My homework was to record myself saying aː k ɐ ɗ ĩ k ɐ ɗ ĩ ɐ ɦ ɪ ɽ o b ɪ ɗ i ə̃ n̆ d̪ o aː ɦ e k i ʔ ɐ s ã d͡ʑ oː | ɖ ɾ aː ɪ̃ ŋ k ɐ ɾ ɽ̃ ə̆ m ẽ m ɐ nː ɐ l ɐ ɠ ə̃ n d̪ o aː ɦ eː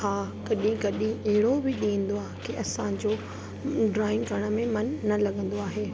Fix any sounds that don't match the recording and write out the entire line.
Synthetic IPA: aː k ɐ ɗ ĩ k ɐ ɗ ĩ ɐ ɦ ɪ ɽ o b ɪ ɗ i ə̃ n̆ d̪ o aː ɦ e k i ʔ ɐ s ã d͡ʑ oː | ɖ ɾ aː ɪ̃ ŋ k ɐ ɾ ɽ̃ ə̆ m ẽ m ɐ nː ɐ l ɐ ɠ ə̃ n d̪ o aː ɦ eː